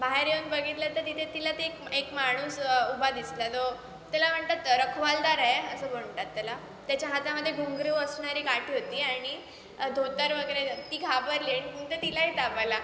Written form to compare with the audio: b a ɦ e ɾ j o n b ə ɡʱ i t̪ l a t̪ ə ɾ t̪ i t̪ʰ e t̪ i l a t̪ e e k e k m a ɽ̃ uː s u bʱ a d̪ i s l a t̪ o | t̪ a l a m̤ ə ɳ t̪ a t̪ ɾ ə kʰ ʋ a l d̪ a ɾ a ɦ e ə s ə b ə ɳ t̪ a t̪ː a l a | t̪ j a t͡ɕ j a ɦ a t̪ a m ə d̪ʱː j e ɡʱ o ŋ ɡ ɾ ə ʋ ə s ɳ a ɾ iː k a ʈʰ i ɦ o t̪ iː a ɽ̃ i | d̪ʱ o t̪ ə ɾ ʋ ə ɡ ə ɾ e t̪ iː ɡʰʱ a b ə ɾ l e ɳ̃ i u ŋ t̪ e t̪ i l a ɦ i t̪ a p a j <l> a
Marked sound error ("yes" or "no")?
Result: no